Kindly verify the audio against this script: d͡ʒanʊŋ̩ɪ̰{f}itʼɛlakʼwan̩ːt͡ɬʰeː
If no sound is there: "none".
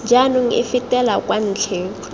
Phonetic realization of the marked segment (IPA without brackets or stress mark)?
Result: f